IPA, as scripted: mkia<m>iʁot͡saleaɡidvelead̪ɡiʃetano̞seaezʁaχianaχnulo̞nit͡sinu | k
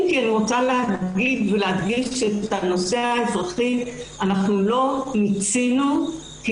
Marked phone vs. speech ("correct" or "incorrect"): incorrect